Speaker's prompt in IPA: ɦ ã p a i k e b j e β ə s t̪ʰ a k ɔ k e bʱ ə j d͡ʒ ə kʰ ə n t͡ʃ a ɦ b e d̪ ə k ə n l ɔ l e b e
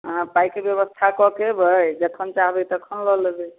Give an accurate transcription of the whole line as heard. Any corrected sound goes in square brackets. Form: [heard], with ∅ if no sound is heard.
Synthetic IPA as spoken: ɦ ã p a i k e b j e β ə s t̪ʰ a k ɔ k e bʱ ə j d͡ʒ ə kʰ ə n t͡ʃ a ɦ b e [t̪] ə [kʰ] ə n l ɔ l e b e

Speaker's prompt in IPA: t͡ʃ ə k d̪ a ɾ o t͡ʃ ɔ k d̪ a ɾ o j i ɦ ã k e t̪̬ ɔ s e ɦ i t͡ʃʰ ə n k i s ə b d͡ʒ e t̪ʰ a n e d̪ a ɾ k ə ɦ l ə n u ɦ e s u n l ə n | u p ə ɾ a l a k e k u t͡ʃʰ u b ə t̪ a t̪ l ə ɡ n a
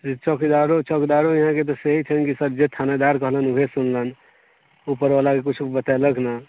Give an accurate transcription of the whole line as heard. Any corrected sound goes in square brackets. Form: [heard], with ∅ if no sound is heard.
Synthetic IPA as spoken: t͡ʃ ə k d̪ a ɾ o t͡ʃ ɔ k d̪ a ɾ o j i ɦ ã k e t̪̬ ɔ s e ɦ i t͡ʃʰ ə n k i s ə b d͡ʒ e t̪ʰ a n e d̪ a ɾ k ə ɦ l ə n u ɦ e s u n l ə n | u p ə ɾ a l a k e k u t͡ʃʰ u b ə t̪ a [∅] l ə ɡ n a

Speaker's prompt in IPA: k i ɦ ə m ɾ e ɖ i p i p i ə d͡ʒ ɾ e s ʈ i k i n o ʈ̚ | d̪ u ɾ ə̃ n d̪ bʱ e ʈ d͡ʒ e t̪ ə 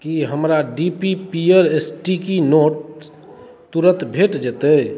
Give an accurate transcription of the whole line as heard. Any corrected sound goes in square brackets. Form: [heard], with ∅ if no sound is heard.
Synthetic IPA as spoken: k i ɦ ə m ɾ [a] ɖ i p i p i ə [∅] ɾ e s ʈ i k i n o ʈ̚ | [t̪] u ɾ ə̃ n [t̪] bʱ e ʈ d͡ʒ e t̪ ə

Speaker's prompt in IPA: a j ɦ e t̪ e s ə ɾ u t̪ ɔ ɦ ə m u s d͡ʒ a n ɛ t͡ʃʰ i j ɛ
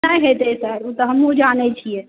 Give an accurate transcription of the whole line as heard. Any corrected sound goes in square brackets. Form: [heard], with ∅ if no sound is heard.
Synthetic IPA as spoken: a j ɦ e t̪ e s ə ɾ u t̪ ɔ ɦ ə m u [∅] d͡ʒ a n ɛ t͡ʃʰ i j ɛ

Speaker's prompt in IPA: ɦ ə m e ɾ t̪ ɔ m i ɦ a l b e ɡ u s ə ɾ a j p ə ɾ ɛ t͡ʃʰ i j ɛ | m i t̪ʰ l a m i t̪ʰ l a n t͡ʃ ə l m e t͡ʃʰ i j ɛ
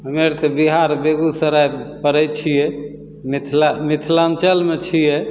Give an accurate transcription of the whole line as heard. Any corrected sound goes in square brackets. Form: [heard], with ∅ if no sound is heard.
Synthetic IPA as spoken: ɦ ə m e ɾ t̪ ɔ [b] i ɦ a [ɾ] b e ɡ u s ə ɾ a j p ə ɾ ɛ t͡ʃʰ i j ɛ | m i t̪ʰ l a m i t̪ʰ l a n t͡ʃ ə l m e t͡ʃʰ i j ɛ

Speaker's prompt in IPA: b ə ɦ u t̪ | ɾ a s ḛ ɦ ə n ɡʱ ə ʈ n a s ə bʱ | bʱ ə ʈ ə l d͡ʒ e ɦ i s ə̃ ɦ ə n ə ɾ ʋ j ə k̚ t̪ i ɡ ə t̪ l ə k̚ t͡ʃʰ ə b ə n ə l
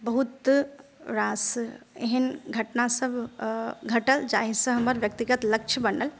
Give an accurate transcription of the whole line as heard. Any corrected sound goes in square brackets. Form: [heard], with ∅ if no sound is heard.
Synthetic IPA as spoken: b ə ɦ u t̪ | ɾ a s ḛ ɦ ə n ɡʱ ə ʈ n a s ə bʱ | [ɡʱ] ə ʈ ə l d͡ʒ [a] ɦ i s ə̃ ɦ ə [m] ə ɾ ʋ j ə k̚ t̪ i ɡ ə t̪ l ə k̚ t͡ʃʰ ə b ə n ə l

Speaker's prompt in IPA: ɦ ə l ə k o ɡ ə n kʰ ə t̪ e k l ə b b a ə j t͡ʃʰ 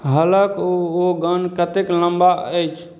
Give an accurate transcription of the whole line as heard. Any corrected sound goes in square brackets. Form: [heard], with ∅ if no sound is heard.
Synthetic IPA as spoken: ɦ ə l ə k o ɡ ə n [k] ə t̪ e k l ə [m] b a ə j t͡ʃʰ

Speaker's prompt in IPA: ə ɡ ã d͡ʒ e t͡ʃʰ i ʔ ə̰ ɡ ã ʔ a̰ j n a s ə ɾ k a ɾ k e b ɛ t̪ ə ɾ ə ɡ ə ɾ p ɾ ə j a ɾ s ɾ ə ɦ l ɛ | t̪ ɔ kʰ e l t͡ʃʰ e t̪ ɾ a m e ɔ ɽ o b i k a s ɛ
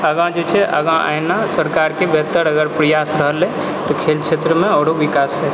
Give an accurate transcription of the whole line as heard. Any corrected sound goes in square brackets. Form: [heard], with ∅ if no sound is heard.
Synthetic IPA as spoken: ə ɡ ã d͡ʒ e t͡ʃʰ [ɛ] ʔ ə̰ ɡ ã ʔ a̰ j n a s ə ɾ k a ɾ k e b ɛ t̪ ə ɾ ə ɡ ə ɾ p ɾ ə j a [∅] s ɾ ə ɦ l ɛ | t̪ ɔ kʰ e l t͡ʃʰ e t̪ ɾ [ə] m e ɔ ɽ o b i k a s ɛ

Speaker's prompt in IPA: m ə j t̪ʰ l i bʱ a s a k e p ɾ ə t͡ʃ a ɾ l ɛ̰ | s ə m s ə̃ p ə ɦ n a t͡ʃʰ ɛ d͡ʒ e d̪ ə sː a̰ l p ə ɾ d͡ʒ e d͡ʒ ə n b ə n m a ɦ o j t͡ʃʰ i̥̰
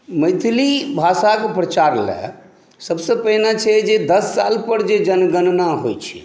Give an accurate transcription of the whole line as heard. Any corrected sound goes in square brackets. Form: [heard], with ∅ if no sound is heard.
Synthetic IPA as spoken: m ə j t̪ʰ l i bʱ a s a k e p ɾ ə t͡ʃ a ɾ l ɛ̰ | s ə [b] s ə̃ p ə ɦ n a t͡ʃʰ ɛ d͡ʒ e d̪ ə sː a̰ l p ə ɾ d͡ʒ e d͡ʒ ə n [ɡ] ə n [n] a ɦ o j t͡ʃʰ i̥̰

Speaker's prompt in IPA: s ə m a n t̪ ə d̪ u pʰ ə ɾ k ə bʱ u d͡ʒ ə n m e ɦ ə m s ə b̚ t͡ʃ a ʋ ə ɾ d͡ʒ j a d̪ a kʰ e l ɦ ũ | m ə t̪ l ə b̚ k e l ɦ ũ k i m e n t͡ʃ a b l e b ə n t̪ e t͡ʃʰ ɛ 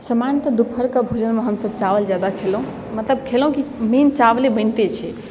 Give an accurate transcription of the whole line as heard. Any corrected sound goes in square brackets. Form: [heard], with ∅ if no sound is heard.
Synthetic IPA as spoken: s ə m a n t̪ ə d̪ u pʰ ə ɾ k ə bʱ u d͡ʒ ə n m e ɦ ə m s ə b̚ t͡ʃ a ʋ ə [l] d͡ʒ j a d̪ a kʰ e l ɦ ũ | m ə t̪ l ə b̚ [kʰ] e l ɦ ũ k i m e n t͡ʃ a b l e b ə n t̪ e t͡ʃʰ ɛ

